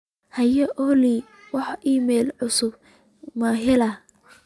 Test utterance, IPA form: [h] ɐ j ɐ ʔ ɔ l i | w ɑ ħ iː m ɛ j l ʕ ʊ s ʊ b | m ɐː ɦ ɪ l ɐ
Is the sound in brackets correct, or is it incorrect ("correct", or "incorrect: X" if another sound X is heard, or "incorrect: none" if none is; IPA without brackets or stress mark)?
correct